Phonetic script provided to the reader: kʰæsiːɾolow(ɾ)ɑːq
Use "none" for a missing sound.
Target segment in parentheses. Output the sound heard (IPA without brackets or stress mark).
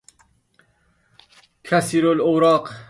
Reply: ɾ